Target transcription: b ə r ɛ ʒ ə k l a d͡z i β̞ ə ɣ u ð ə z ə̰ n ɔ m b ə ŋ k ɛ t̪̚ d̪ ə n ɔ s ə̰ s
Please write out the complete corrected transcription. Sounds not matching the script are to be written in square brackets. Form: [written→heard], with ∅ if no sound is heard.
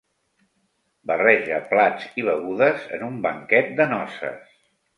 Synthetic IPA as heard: b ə r ɛ ʒ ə [k→p] l a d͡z i β̞ ə ɣ u ð ə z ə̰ n [ɔ→u] m b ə ŋ k ɛ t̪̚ d̪ ə n ɔ s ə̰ s